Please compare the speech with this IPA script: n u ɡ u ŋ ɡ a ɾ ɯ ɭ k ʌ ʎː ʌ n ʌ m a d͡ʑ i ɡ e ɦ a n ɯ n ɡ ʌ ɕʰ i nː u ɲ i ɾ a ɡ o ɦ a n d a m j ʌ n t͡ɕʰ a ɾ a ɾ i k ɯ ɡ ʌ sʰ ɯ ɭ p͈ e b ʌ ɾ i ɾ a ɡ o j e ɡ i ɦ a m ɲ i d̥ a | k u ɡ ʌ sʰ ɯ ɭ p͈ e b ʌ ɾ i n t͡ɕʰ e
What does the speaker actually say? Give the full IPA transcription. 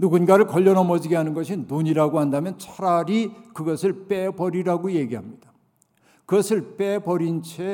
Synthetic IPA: n u ɡ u n ɡ a ɾ ɯ ɭ k ʌ ʎː ʌ n ʌ m ʌ d͡ʑ i ɡ e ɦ a n ɯ n ɡ ʌ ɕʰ i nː u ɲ i ɾ a ɡ o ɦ a n d a m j ʌ n t͡ɕʰ a ɾ a ɾ i k ɯ ɡ ʌ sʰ ɯ ɭ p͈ e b ʌ ɾ i ɾ a ɡ o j e ɡ i ɦ a m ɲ i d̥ a | k ɯ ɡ ʌ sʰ ɯ ɭ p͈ e b ʌ ɾ i n t͡ɕʰ e